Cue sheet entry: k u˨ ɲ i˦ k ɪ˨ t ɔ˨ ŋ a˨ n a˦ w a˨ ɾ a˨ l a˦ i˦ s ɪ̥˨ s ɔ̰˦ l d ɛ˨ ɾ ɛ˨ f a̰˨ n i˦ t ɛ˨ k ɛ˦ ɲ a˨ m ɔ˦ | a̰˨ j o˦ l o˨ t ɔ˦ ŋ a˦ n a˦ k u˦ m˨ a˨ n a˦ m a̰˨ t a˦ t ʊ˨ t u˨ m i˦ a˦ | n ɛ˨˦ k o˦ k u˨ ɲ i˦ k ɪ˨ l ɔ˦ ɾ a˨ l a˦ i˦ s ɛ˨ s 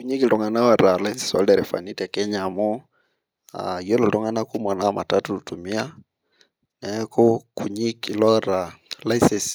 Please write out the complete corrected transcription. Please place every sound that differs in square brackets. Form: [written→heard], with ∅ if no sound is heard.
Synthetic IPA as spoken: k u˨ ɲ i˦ k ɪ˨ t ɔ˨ ŋ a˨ n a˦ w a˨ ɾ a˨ l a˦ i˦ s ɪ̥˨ s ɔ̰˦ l d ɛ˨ ɾ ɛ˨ f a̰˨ n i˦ t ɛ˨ k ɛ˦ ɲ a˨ m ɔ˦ | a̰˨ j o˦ l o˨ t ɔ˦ ŋ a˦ n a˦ k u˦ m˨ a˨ n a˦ m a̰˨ t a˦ t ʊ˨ t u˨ m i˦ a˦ | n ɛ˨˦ k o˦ k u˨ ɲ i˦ k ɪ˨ l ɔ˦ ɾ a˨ l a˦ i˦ s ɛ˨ s